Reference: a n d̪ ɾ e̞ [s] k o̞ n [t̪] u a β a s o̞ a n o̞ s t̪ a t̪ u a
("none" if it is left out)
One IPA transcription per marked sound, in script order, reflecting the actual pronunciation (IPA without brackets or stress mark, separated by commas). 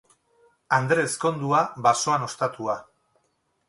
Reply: s, d̪